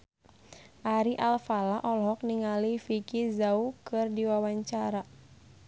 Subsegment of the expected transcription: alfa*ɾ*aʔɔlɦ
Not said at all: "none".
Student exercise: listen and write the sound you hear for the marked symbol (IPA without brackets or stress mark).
l